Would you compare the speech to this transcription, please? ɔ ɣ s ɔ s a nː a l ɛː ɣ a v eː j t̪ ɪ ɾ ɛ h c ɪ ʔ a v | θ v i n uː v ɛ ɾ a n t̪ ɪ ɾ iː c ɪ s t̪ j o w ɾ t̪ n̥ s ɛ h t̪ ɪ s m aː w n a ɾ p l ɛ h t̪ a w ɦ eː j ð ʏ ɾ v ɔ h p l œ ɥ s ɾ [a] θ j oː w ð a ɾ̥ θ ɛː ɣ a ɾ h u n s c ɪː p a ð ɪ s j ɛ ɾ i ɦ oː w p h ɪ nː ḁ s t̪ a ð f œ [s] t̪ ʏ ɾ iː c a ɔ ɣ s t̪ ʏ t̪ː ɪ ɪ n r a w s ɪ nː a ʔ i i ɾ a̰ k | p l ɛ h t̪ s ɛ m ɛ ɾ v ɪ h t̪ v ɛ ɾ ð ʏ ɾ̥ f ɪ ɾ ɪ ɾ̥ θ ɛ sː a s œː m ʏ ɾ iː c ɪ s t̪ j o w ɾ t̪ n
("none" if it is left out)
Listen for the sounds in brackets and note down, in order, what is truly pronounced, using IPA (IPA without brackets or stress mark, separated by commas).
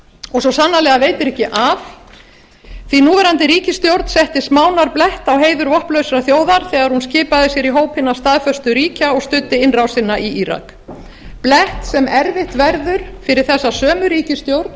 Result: a, s